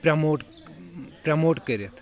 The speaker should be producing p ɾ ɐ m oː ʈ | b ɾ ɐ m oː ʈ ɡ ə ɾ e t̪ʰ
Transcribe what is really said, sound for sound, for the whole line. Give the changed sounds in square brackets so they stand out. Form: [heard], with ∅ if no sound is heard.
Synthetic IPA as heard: p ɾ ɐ m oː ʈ | [p] ɾ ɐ m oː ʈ [k] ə ɾ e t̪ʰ